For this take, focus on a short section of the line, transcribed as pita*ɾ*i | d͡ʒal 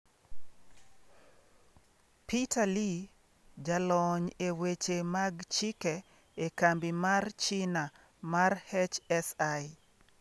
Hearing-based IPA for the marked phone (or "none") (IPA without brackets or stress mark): l